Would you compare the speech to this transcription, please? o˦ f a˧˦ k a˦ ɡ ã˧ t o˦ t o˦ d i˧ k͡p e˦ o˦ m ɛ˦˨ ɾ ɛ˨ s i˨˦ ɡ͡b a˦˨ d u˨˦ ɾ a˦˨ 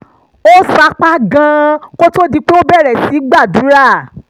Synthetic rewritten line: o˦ s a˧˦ k͡p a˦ ɡ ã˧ k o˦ t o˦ d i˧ k͡p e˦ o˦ b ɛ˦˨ ɾ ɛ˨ s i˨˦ ɡ͡b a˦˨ d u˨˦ ɾ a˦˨

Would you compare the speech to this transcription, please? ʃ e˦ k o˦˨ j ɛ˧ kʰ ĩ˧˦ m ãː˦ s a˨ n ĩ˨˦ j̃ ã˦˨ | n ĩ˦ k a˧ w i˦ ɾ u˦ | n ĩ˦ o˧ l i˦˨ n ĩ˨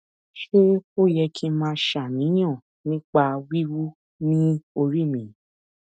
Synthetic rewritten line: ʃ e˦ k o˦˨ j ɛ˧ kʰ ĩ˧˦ m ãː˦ ʃ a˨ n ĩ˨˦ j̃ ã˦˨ | n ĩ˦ k͡p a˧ w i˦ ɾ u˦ | n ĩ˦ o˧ ɾ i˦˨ m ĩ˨

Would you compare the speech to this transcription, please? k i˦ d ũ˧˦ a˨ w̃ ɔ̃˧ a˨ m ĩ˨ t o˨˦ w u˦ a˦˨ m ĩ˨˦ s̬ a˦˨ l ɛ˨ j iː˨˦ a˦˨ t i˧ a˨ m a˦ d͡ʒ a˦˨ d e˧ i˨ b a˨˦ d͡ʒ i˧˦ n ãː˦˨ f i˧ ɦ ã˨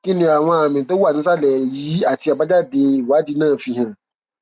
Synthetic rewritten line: k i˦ n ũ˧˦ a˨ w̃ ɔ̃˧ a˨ m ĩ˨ t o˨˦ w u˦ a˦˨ n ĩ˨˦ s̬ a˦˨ l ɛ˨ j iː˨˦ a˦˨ t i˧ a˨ b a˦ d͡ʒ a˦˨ d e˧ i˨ w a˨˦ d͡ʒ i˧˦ n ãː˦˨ f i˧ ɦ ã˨

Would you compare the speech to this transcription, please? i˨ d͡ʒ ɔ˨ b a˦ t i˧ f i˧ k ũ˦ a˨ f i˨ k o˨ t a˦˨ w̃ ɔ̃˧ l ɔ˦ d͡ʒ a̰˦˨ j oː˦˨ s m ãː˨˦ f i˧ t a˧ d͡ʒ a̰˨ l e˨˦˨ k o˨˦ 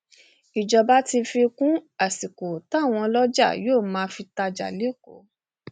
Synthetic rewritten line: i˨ d͡ʒ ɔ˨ b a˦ t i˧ f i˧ k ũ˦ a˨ s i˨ k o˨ t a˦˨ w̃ ɔ̃˧ l ɔ˦ d͡ʒ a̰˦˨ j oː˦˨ m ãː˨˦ f i˧ t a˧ d͡ʒ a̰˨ l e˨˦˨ k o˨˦

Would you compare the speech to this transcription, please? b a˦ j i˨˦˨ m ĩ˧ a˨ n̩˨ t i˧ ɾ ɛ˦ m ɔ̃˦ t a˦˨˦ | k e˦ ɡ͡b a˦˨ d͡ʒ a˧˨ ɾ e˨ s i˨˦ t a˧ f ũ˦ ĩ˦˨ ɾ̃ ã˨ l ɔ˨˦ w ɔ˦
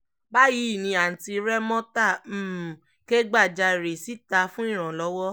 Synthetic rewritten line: b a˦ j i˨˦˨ n ĩ˧ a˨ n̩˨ t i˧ ɾ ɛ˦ m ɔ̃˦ t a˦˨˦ | k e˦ ɡ͡b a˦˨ d͡ʒ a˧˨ ɾ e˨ s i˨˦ t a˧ f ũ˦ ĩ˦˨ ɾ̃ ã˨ l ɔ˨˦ w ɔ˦

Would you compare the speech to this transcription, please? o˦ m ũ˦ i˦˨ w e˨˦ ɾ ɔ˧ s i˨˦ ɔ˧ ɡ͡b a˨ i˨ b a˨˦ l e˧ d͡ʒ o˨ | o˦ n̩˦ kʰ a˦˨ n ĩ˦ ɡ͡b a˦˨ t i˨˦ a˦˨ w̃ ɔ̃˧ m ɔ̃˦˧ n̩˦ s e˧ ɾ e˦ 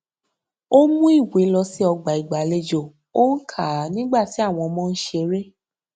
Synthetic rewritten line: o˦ m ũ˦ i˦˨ w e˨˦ l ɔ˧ s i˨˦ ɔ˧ ɡ͡b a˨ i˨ ɡ͡b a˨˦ l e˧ d͡ʒ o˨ | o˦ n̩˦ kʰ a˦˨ n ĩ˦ ɡ͡b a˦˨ t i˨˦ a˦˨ w̃ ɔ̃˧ m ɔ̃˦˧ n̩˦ ʃ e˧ ɾ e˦

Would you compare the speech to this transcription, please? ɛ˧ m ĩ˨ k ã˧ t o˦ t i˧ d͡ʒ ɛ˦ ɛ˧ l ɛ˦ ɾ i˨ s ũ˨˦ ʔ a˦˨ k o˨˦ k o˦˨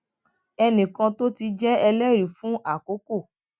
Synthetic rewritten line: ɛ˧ n ĩ˨ k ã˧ t o˦ t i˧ d͡ʒ ɛ˦ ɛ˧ l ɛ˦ ɾ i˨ f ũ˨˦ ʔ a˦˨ k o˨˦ k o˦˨

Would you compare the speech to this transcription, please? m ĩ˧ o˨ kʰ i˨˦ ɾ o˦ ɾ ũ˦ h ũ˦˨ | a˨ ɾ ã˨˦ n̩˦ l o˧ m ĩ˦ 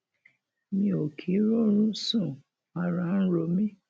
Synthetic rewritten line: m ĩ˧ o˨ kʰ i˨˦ ɾ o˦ ɾ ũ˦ s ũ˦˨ | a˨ ɾ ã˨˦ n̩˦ ɾ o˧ m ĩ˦

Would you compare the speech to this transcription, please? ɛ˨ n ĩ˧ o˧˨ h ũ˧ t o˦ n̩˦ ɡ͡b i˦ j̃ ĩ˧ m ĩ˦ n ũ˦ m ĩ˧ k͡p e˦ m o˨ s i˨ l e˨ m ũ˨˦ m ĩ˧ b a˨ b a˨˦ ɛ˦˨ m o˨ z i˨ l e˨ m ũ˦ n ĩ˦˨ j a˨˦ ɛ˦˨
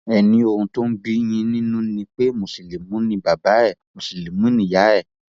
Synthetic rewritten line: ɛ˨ n ĩ˧ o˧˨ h ũ˧ t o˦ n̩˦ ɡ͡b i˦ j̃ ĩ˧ n ĩ˦ n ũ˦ n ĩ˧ k͡p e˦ m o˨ s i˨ l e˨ m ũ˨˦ n ĩ˧ b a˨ b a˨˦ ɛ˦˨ m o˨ s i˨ l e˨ m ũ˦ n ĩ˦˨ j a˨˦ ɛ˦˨

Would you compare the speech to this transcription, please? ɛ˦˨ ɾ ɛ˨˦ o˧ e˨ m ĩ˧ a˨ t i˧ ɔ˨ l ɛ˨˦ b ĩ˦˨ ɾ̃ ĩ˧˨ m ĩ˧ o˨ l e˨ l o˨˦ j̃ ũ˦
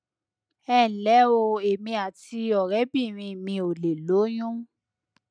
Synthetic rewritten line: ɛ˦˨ l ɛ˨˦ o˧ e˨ m ĩ˧ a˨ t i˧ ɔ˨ ɾ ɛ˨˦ b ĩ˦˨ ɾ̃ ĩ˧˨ m ĩ˧ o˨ l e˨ l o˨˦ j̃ ũ˦

